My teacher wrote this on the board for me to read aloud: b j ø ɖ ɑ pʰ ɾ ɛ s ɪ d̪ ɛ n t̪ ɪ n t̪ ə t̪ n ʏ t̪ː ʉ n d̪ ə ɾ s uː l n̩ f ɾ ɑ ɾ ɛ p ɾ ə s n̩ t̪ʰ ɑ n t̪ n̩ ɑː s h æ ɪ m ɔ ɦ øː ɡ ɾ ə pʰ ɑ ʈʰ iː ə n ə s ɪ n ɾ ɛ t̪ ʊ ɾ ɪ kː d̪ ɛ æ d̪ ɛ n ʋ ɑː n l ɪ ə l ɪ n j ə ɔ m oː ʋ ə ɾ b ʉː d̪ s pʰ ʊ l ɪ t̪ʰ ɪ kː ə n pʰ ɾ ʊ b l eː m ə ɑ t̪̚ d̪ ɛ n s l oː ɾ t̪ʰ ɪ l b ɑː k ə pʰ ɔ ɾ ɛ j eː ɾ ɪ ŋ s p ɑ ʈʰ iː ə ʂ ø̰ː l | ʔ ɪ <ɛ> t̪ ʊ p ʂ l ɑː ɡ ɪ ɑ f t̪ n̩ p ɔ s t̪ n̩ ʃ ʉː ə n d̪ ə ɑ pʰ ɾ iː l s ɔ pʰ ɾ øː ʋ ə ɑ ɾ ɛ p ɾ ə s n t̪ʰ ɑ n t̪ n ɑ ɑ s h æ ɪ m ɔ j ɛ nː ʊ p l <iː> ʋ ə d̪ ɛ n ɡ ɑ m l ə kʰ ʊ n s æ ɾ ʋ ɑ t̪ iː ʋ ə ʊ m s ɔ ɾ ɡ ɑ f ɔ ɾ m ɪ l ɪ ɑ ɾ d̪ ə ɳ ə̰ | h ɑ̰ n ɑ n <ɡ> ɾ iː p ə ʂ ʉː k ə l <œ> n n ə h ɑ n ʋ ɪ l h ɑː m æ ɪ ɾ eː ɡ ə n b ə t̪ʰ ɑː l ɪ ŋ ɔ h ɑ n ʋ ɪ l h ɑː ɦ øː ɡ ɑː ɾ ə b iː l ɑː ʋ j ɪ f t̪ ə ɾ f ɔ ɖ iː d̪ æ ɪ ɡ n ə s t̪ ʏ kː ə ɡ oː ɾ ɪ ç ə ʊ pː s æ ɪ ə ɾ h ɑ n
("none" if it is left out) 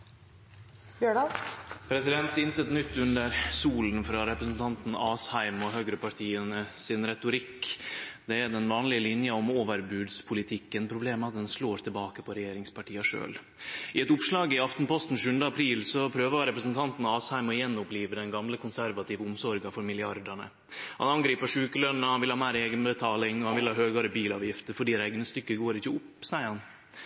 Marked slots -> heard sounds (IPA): ɛ, iː, ɡ, œ

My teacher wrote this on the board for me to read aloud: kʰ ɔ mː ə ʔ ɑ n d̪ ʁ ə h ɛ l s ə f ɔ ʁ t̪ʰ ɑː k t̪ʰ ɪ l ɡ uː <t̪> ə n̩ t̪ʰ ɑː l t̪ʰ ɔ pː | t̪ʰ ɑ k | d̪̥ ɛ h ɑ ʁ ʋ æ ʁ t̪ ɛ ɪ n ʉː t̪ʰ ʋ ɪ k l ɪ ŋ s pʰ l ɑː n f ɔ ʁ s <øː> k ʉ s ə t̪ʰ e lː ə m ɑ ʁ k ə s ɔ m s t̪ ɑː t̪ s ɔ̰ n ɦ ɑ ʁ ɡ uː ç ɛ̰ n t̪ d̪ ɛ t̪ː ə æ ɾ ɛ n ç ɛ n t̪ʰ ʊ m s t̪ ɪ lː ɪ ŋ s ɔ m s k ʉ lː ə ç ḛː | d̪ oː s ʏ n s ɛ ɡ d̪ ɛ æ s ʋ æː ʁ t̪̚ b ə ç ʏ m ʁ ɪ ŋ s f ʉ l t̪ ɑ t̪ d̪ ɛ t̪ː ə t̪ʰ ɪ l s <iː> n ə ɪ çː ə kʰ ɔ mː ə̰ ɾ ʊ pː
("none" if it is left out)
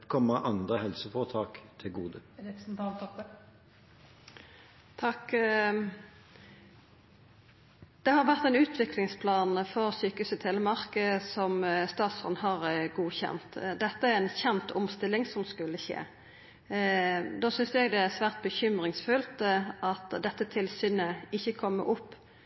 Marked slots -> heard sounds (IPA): d̪, yː, yː

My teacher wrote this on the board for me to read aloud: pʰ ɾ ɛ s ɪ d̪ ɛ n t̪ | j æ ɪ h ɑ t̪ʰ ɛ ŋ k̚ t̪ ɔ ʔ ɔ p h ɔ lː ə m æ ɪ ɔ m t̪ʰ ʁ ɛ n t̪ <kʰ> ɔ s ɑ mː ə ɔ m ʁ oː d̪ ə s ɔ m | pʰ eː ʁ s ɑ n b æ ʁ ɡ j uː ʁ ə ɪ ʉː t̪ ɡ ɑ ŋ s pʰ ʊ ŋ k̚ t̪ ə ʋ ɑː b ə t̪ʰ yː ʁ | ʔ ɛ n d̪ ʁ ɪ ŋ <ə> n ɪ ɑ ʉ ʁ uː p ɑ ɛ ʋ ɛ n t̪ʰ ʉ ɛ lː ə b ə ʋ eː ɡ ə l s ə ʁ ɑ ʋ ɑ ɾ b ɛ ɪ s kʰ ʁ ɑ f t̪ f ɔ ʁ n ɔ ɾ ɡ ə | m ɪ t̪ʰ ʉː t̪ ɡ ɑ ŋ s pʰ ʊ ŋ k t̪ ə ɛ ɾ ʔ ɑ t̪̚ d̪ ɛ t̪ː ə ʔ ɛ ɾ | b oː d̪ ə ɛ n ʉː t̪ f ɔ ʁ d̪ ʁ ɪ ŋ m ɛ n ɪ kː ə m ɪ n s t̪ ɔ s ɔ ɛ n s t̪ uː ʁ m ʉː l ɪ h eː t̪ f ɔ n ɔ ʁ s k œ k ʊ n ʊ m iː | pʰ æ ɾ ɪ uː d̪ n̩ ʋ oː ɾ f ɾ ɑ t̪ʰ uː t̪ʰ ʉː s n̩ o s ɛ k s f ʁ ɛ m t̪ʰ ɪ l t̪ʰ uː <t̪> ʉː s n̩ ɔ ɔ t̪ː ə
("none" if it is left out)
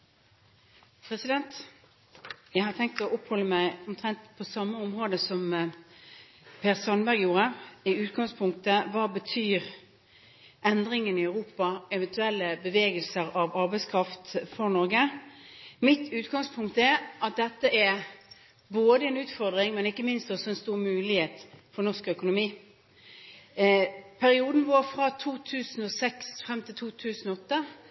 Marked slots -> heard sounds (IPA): pʰ, ə, t̪ʰ

